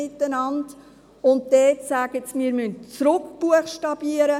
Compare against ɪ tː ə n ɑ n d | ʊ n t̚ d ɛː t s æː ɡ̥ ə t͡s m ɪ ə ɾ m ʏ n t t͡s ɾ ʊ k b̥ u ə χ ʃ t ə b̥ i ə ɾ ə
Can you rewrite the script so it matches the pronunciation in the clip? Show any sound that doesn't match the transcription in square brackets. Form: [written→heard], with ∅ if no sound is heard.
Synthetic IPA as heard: ɪ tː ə n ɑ n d | ʊ n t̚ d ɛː t s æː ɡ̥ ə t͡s m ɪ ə ɾ m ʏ n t t͡s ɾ ʊ k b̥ u ə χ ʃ t [ə→ɑ] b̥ i ə ɾ ə

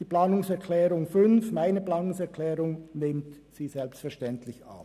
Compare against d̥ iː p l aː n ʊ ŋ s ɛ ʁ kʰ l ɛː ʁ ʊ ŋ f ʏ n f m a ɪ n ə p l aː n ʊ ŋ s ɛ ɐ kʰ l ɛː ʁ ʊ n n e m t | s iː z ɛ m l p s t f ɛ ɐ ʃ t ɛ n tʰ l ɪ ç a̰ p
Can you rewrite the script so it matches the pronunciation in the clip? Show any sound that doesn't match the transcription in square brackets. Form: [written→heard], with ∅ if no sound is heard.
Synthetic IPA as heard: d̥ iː p l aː n ʊ ŋ s ɛ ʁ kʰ l ɛː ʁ ʊ ŋ f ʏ n f m a ɪ n ə p l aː n ʊ ŋ s ɛ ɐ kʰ l ɛː ʁ ʊ [n→ŋ] n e m t | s iː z ɛ [m→∅] l p s t f ɛ ɐ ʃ t ɛ n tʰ l ɪ ç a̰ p

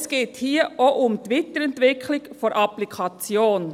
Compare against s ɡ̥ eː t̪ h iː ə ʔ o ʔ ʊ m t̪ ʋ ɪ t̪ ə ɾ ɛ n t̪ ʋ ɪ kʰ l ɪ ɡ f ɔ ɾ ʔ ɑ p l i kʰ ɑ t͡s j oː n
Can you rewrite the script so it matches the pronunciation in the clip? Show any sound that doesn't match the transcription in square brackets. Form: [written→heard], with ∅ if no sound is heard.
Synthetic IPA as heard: s ɡ̥ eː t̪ h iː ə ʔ o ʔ ʊ m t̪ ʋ ɪ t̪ ə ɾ ɛ n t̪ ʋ ɪ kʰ l ɪ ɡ f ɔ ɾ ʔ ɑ p l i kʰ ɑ t͡s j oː n

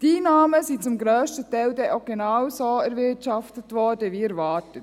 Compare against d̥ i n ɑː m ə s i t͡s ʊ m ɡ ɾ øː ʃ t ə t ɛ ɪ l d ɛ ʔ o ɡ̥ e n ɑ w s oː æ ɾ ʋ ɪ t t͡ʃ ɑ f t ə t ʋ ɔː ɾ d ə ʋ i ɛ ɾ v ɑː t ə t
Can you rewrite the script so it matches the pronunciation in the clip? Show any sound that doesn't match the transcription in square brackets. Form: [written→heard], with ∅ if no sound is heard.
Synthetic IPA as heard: d̥ i n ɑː m ə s i t͡s ʊ m ɡ ɾ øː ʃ t ə t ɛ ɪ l d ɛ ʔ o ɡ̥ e n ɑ w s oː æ ɾ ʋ ɪ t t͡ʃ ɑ f t ə t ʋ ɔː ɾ d ə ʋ i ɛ ɾ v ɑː t ə t

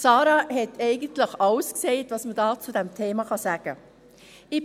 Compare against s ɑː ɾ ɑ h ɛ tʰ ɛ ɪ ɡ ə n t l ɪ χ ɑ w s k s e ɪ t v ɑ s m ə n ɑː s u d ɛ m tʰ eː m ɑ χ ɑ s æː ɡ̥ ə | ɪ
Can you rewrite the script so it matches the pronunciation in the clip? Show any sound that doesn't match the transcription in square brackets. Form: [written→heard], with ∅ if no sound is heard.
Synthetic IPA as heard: s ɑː ɾ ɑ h ɛ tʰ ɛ ɪ ɡ ə n t l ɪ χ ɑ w s k s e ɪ t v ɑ s m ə [n→d] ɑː [s→t͡s] u d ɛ m tʰ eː m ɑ χ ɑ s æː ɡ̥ ə | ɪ

